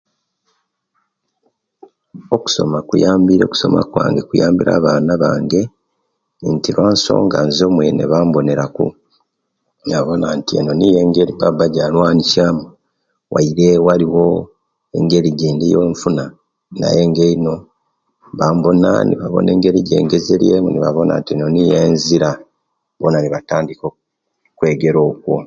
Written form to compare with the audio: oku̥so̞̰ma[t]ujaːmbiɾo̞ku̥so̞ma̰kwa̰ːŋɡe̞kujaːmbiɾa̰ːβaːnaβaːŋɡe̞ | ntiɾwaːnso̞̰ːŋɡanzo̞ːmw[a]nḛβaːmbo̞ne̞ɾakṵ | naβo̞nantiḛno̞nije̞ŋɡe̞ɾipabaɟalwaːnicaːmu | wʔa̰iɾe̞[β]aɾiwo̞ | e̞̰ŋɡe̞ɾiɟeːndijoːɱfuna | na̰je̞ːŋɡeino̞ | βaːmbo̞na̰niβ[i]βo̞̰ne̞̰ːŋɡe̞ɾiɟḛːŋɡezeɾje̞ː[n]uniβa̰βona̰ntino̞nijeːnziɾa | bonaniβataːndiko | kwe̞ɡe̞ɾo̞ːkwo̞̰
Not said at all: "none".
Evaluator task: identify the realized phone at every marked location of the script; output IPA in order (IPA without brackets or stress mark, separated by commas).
k, e, w, a, m